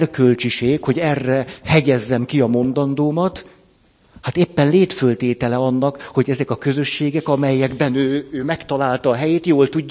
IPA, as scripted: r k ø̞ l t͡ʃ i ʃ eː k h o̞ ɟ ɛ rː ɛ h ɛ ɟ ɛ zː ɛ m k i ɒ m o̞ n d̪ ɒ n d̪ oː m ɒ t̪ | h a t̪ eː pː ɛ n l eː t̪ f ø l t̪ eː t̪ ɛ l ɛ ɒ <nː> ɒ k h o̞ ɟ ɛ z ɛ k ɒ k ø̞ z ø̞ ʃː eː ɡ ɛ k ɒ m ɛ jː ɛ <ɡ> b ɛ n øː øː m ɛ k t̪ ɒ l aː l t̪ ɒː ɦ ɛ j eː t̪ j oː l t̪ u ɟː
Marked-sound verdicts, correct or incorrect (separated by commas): correct, correct